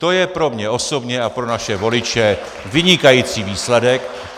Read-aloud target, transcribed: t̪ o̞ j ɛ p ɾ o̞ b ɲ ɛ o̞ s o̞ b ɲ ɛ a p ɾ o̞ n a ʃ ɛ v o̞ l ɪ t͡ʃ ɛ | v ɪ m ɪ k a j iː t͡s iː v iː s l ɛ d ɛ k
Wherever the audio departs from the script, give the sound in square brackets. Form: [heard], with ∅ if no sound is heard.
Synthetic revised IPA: t̪ o̞ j ɛ p ɾ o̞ [m] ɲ ɛ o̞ s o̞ b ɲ ɛ a p ɾ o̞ n a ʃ ɛ v o̞ l ɪ t͡ʃ ɛ | v ɪ [ɲ] ɪ k a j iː t͡s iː v iː s l ɛ d ɛ k